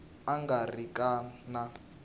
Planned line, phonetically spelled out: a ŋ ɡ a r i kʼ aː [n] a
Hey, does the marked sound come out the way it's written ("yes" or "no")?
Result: yes